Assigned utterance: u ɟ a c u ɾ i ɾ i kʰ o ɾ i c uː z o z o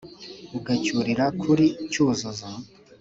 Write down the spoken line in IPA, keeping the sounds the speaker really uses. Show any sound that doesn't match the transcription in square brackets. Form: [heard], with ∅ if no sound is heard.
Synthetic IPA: u [ɡ] a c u ɾ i ɾ [a] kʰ [u] ɾ i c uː z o z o

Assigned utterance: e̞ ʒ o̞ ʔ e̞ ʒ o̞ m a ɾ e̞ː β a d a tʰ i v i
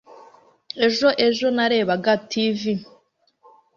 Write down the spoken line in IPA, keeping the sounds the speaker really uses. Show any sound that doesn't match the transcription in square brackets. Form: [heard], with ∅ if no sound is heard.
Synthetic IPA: e̞ ʒ o̞ ʔ e̞ ʒ o̞ [n] a ɾ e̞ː β a [ɡ] a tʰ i v i

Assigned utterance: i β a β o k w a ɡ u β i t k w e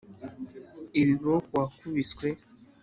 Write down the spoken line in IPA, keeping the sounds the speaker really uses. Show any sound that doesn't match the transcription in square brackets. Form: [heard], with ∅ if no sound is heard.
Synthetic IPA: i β [i] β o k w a [k] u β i [s] k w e

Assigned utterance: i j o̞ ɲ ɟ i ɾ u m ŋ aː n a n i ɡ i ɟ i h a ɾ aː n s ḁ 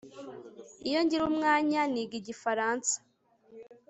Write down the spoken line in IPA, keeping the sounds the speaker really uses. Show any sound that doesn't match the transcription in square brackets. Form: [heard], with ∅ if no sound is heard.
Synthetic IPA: i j o̞ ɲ ɟ i ɾ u m ŋ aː [ɲ] a n i ɡ i ɟ i [f] a ɾ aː n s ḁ

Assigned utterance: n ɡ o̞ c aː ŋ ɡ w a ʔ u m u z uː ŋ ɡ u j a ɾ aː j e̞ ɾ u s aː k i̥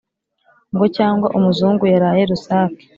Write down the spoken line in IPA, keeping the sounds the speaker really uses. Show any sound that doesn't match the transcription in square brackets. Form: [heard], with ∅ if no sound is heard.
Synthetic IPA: [ŋ] ɡ o̞ c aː ŋ ɡ w a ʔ u m u z uː ŋ ɡ u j a ɾ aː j e̞ ɾ u s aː k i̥

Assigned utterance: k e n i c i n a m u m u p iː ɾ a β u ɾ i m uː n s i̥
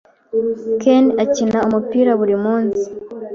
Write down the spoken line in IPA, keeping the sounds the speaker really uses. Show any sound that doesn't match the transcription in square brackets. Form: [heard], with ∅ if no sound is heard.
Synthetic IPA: k e n [a] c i n a [∅] u m u p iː ɾ a β u ɾ i m uː n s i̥

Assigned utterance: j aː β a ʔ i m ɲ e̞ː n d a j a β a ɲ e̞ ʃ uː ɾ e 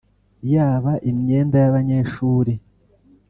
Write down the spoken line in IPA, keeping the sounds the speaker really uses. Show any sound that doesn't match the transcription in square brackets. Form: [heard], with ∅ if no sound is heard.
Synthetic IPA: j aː β a ʔ i m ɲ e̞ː n d a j a β a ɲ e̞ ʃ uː ɾ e

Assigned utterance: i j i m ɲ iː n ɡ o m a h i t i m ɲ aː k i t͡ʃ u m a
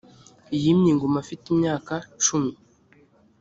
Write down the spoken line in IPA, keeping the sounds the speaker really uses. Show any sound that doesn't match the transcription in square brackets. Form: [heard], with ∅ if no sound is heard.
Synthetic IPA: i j i m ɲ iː [ŋ] ɡ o m a [f] i t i m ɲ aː k [a] t͡ʃ u m [i]

